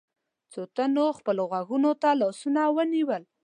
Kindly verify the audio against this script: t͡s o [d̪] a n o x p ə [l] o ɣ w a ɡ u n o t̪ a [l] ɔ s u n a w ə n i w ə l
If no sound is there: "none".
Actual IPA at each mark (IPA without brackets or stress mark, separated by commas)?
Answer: t̪, l, l